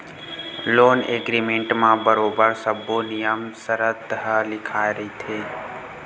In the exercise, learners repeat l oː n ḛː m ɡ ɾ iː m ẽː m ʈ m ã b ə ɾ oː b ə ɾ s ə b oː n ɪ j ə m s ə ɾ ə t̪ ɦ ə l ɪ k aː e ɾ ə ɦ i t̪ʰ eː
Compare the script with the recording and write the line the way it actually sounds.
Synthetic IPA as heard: l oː n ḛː ɡ ɾ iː m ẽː ɳ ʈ m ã b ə ɾ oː b ə ɾ s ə b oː n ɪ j ə m s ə ɾ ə t̪ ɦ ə l ɪ kʰ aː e ɾ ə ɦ i t̪ʰ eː